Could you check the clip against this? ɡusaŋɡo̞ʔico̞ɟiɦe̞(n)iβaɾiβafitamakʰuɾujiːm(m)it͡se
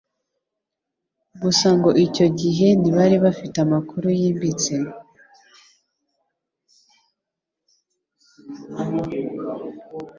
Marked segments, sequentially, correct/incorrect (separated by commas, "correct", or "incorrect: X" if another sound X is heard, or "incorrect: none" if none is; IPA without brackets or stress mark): correct, incorrect: b